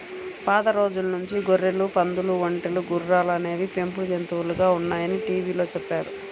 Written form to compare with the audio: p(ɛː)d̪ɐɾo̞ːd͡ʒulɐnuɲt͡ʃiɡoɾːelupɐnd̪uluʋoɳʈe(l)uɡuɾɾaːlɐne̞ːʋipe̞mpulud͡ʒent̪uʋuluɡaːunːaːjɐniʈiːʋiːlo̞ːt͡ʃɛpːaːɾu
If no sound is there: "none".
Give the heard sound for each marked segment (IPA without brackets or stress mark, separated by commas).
aː, l